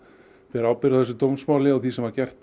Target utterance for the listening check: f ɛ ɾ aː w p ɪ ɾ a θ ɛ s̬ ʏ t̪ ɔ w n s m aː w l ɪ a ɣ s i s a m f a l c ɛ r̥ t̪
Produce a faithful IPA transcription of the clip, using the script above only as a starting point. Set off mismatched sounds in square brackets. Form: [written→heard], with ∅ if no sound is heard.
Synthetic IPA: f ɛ ɾ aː w p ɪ ɾ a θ ɛ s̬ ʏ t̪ [ɔ→o] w [n→m] s m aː w l ɪ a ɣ [s→θ] i s [a→ɛ] m [f→v] a [l→ɾ] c ɛ r̥ t̪